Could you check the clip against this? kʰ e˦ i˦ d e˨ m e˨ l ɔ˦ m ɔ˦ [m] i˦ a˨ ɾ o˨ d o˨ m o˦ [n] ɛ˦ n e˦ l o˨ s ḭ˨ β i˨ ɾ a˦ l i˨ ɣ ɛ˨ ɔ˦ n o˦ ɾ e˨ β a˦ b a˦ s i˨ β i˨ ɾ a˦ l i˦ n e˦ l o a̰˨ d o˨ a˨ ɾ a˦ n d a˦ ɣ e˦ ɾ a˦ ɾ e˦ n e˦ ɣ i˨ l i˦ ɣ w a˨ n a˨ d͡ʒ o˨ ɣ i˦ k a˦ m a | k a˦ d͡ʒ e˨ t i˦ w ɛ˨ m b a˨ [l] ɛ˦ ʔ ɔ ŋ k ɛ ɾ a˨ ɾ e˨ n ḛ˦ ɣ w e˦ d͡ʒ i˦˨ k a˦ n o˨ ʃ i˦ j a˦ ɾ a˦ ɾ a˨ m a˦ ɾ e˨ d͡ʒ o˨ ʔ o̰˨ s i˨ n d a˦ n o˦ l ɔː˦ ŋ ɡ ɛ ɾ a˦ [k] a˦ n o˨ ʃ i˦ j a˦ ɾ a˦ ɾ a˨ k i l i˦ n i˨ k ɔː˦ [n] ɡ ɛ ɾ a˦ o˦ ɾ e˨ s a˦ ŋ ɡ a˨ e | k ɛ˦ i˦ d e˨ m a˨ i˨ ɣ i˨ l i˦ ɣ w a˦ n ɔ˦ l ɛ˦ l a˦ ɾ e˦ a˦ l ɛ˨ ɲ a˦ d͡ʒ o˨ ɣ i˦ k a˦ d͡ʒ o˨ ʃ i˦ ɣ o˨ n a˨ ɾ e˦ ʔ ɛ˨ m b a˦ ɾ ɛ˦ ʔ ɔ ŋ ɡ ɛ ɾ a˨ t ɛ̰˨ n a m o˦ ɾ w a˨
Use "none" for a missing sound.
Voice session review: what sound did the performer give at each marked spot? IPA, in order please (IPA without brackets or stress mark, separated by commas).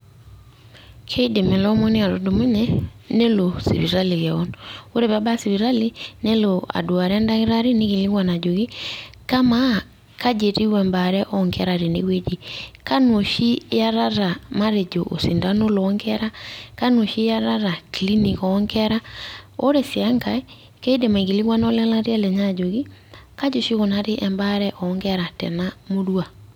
n, ɲ, ɾ, k, ŋ